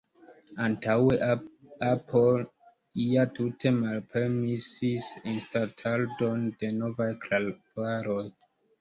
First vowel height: low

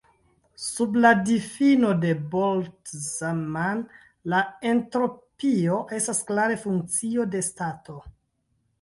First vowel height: high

